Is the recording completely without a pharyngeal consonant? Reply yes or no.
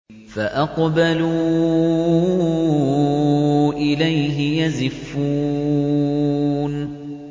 yes